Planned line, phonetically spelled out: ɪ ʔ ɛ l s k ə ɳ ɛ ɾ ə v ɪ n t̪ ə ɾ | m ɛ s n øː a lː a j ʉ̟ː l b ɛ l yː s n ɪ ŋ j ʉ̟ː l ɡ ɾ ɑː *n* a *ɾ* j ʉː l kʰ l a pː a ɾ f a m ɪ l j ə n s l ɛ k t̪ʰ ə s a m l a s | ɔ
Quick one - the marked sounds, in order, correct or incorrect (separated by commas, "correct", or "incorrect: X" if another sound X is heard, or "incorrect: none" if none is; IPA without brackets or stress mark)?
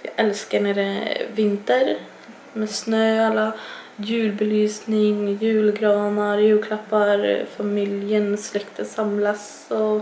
correct, correct